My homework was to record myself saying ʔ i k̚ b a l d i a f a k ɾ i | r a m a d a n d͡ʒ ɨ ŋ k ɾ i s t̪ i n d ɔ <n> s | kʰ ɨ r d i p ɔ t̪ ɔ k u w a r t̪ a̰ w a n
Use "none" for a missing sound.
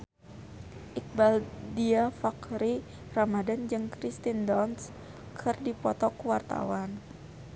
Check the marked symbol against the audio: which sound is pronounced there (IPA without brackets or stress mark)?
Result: n